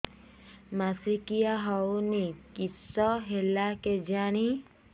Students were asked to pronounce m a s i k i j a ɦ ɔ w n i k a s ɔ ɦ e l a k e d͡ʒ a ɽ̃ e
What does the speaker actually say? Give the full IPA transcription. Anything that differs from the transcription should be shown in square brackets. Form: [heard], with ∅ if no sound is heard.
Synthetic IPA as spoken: m a s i k i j a ɦ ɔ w n i k [i] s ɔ ɦ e l a k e d͡ʒ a ɽ̃ [i]